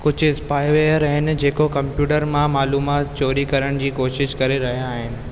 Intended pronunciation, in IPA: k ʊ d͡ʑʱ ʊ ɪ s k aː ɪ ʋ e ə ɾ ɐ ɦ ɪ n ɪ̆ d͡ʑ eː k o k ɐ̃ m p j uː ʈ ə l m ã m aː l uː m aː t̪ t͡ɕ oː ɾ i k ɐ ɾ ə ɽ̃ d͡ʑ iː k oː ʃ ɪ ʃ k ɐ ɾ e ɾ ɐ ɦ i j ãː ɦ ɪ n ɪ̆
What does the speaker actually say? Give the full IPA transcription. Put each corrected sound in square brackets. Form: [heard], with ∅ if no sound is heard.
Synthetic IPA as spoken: k ʊ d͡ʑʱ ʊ ɪ s [p] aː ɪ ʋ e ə ɾ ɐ ɦ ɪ n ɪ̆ d͡ʑ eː k o k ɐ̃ m p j uː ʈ ə [ɾ] m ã m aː l uː m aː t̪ t͡ɕ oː ɾ i k ɐ ɾ ə ɽ̃ d͡ʑ iː k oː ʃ ɪ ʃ k ɐ ɾ e ɾ ɐ ɦ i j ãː ɦ ɪ n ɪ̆